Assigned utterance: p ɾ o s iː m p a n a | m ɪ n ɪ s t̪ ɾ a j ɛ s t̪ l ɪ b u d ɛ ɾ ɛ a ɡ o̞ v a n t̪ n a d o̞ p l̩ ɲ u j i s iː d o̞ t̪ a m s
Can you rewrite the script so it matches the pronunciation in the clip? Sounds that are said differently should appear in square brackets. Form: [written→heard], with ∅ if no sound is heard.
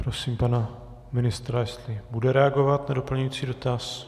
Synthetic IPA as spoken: p ɾ o s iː m p a n a | m ɪ n ɪ s t̪ ɾ a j ɛ s t̪ l ɪ b u d ɛ ɾ ɛ a ɡ o̞ v a [n→∅] t̪ n a d o̞ p l̩ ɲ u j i [s→t͡s] iː d o̞ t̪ a [m→∅] s